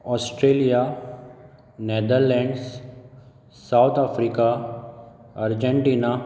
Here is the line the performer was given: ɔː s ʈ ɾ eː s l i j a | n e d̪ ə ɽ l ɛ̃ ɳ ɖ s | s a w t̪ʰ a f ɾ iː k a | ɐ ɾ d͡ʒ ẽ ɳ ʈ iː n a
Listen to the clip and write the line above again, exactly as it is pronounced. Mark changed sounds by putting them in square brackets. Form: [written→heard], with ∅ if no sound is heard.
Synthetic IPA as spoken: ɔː s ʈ ɾ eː [s→∅] l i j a | n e d̪ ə [ɽ→ɾ] l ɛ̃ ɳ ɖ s | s a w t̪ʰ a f ɾ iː k a | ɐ ɾ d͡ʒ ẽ ɳ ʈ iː n a